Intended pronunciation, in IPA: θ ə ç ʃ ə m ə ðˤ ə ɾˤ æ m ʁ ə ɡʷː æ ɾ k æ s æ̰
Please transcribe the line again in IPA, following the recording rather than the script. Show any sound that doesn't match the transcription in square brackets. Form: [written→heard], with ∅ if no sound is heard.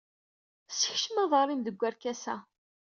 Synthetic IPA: [θ→s] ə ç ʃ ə m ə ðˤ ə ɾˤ [æ→i] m [ʁ→ð] ə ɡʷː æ ɾ k æ s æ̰